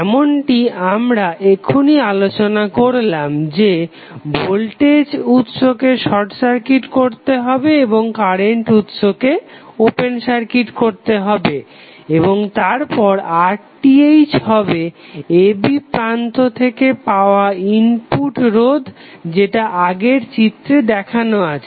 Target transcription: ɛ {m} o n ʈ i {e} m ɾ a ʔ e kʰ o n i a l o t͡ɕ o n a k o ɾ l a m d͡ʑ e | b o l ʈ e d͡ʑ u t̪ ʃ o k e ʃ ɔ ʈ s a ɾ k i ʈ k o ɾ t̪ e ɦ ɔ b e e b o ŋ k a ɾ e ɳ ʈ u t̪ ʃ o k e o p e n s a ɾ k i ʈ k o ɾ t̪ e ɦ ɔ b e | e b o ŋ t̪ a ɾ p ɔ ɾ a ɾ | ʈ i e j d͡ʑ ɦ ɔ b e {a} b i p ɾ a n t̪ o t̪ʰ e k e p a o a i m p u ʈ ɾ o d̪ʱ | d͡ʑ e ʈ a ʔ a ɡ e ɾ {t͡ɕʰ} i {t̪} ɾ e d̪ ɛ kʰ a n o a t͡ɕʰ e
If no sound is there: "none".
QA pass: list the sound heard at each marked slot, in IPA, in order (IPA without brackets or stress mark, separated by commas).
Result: m, a, e, t͡ɕ, t̪